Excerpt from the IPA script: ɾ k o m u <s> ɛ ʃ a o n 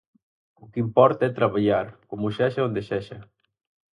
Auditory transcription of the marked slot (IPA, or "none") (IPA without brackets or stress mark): ʃ